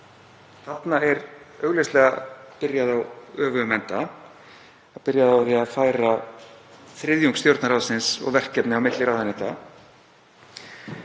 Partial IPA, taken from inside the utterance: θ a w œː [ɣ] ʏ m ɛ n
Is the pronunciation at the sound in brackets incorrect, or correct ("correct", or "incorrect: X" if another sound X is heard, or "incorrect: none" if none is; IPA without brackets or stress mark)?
incorrect: v